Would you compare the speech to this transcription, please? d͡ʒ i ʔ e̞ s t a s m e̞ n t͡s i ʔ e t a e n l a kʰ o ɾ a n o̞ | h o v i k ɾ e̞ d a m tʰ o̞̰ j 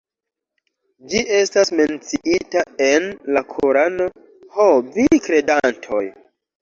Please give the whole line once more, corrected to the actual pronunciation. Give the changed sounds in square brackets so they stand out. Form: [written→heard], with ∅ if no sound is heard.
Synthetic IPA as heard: d͡ʒ i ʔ e̞ s t a s m e̞ n t͡s i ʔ [e→i] t a e n l a kʰ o ɾ a n o̞ | h o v i k ɾ e̞ d a [m→n] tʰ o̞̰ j